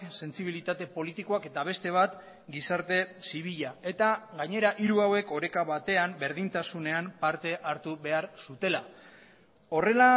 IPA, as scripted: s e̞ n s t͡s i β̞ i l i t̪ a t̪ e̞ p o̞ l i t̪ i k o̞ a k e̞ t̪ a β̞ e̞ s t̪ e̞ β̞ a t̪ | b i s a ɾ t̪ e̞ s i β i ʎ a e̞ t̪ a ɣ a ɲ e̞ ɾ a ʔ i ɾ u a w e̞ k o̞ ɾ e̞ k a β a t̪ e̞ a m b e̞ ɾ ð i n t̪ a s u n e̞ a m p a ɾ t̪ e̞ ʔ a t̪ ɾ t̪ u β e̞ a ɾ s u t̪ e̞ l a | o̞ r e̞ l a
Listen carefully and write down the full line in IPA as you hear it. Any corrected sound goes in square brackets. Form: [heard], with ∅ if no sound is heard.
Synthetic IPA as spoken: s e̞ n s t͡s i β̞ i l i t̪ a t̪ e̞ p o̞ l i t̪ i k o̞ a k e̞ t̪ a β̞ e̞ s t̪ e̞ β̞ a t̪ | [ɡ] i s a ɾ t̪ e̞ s i β i ʎ a e̞ t̪ a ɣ a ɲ e̞ ɾ a ʔ i ɾ u a w e̞ k o̞ ɾ e̞ k a β a t̪ e̞ a m b e̞ ɾ ð i n t̪ a s u n e̞ a m p a ɾ t̪ e̞ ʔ a [∅] ɾ t̪ u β e̞ a ɾ s u t̪ e̞ l a | o̞ r e̞ l a